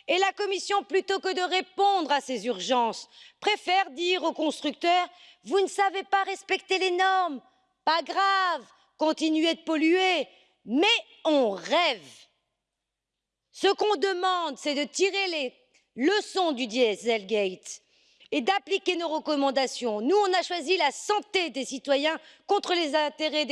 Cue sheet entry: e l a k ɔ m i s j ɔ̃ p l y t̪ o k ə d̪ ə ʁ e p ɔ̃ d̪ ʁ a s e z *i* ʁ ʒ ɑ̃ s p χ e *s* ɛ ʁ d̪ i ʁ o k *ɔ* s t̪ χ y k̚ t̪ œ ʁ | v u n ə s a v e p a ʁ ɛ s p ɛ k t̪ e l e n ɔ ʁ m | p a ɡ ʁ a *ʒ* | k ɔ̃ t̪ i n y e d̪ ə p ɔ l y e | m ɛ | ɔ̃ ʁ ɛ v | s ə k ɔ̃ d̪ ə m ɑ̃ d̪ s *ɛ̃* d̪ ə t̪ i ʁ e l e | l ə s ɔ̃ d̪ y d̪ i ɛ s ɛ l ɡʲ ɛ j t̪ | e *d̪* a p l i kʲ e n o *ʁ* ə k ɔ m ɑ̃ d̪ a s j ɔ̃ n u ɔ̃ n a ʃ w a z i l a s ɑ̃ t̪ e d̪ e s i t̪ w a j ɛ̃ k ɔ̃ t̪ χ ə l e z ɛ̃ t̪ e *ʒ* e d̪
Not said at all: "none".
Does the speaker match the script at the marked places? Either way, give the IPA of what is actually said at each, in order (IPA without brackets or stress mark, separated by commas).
y, f, ɔ̃, v, ɛ, d̪, ʁ, ʁ